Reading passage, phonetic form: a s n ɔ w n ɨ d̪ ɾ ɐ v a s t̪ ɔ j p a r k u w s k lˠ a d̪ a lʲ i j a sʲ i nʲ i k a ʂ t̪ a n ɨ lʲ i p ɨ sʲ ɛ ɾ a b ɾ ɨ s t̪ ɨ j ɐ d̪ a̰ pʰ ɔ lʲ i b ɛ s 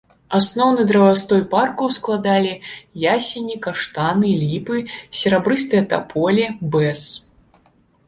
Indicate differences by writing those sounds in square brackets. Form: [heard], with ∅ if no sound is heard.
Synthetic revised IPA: a s n ɔ w n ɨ d̪ ɾ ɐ v a s t̪ ɔ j p a r k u w s k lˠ a d̪ a lʲ i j a sʲ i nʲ i k a ʂ t̪ a n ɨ lʲ i p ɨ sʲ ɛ ɾ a b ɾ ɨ s t̪ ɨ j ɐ [t̪] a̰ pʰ ɔ lʲ i b ɛ s